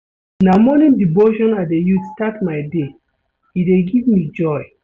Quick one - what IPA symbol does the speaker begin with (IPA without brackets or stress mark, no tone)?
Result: n